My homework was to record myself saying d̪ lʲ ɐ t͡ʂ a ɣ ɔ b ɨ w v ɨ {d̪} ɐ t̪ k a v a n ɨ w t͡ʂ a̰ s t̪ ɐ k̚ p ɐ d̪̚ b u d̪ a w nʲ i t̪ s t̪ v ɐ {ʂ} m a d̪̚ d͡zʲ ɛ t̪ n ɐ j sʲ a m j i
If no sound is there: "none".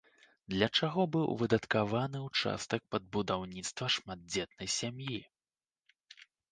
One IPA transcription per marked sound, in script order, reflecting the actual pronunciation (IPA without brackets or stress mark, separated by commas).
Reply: d̪, ʂ